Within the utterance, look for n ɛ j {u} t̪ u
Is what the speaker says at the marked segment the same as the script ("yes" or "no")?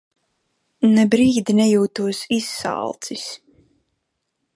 no